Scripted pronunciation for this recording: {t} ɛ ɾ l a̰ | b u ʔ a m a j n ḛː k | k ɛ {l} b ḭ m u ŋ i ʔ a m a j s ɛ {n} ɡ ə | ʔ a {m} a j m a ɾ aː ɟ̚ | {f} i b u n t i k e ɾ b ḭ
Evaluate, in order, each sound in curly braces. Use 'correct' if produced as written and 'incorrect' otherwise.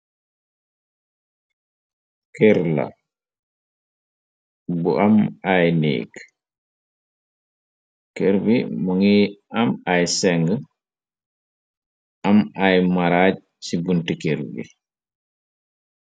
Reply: incorrect: k, incorrect: ɾ, incorrect: ŋ, correct, incorrect: s

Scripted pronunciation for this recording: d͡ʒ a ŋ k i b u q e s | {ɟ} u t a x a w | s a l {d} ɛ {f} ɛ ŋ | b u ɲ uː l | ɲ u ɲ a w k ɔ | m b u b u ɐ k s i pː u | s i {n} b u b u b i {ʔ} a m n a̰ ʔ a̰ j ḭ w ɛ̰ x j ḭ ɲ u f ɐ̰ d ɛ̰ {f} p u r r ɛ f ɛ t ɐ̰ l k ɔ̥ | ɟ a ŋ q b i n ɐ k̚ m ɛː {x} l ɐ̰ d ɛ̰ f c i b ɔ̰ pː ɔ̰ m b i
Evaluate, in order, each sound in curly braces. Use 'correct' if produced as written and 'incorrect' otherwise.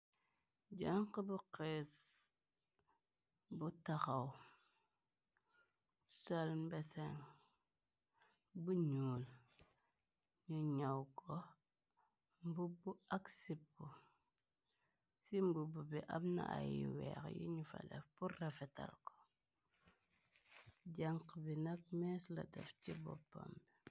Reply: incorrect: b, incorrect: b, incorrect: s, incorrect: m, correct, correct, incorrect: s

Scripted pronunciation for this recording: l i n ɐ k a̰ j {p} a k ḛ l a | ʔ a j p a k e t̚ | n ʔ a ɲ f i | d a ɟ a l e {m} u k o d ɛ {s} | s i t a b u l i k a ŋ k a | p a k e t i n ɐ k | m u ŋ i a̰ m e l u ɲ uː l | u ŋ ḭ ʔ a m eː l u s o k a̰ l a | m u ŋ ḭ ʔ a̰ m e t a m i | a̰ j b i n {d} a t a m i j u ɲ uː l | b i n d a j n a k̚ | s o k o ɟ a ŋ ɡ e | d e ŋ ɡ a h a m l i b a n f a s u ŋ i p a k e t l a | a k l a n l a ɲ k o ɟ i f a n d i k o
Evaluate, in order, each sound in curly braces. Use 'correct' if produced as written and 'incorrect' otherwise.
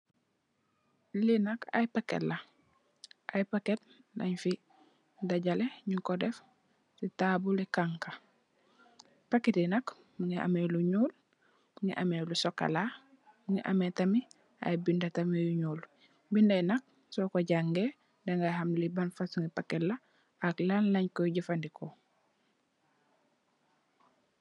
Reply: correct, incorrect: ɲ, incorrect: f, correct

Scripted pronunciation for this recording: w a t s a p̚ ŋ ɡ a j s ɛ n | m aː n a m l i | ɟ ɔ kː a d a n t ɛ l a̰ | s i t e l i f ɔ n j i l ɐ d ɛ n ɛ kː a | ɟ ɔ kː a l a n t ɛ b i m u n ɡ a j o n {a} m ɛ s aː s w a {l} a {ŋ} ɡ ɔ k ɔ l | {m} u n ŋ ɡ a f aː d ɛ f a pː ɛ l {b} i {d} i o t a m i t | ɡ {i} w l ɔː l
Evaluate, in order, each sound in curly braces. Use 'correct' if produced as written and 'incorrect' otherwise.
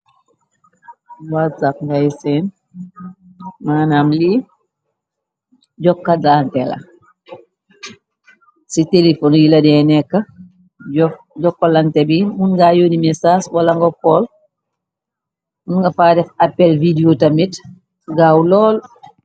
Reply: incorrect: i, correct, correct, correct, incorrect: v, correct, incorrect: a

